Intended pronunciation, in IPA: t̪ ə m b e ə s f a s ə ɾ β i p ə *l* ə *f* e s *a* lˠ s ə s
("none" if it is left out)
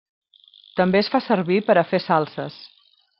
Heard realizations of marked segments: ɾ, f, a

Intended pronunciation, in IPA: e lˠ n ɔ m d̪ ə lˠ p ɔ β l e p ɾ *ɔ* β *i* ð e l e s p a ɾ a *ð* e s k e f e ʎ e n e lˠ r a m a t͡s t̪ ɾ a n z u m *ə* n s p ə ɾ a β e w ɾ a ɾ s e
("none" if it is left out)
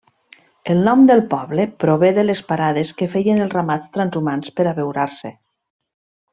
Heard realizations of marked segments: o, e, ð, a

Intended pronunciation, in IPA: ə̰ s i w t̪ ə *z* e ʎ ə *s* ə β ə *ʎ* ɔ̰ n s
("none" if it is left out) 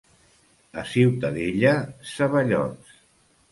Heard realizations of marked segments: ð, s, ʎ

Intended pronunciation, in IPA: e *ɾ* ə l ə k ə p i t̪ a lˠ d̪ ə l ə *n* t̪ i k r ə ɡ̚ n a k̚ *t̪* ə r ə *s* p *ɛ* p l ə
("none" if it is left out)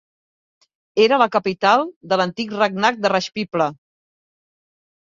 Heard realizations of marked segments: ɾ, n, d̪, ʃ, i

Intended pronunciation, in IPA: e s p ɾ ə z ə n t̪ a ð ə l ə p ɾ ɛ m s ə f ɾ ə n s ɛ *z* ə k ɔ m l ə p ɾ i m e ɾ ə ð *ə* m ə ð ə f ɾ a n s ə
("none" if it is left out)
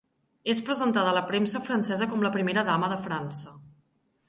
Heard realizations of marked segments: z, a

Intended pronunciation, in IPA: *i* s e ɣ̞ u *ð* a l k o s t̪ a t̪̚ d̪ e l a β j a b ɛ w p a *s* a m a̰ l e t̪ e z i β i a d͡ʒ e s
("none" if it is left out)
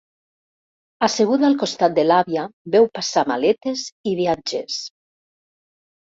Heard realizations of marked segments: a, ð, s

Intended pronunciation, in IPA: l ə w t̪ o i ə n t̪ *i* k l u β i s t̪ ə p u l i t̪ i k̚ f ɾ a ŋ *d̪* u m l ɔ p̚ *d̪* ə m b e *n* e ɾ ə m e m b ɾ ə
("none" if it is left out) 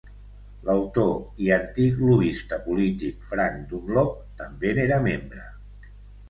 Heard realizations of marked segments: i, d̪, t̪, n

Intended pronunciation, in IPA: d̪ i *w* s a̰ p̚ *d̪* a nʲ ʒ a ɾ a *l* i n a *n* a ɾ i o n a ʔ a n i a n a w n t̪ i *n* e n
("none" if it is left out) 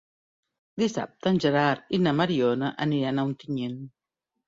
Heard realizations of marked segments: none, t̪, ɾ, m, ɲ

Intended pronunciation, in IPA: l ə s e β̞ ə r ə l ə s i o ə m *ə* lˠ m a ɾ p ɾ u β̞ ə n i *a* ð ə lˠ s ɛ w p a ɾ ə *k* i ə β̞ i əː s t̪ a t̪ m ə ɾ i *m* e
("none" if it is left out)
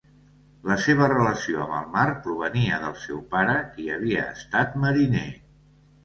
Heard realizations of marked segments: ə, ə, k, n

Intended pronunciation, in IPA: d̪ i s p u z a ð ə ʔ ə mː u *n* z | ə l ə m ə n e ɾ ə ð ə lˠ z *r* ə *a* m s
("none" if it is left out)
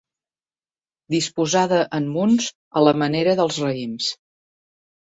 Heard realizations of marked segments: n, r, i

